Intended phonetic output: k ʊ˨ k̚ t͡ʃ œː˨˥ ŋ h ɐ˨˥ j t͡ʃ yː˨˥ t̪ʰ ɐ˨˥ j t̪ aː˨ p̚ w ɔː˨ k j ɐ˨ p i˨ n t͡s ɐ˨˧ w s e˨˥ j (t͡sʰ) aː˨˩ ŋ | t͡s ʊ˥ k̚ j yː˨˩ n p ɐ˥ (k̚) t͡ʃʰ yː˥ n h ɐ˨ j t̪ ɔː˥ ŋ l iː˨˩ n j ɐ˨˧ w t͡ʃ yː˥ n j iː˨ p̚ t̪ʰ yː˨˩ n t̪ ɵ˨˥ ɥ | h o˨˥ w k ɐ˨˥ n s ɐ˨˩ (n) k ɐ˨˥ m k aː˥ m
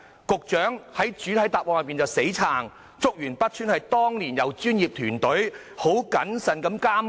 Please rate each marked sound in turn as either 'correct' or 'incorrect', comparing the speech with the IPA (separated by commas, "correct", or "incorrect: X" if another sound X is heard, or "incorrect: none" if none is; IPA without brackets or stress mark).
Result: correct, incorrect: t̚, correct